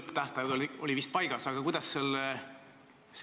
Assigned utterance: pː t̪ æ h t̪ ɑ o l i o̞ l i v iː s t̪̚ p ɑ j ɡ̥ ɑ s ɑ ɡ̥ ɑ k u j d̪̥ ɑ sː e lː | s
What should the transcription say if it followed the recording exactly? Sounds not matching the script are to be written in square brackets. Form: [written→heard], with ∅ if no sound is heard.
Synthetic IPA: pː t̪ æ h t̪ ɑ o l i o̞ l i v [iː→i] s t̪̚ p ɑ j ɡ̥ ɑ s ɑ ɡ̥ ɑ k u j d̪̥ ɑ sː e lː | s